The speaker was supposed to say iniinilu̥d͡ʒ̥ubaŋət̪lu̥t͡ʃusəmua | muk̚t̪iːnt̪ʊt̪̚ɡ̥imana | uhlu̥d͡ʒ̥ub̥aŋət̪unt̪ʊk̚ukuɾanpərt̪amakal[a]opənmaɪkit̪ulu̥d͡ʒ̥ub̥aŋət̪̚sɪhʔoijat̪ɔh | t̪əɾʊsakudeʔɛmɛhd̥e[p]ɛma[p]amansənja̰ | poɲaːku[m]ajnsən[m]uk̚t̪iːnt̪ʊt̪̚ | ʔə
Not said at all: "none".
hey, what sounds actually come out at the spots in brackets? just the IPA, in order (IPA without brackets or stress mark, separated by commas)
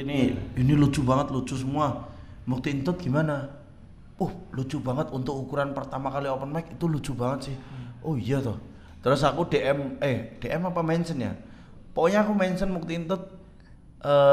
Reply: i, ʔ, p, m, m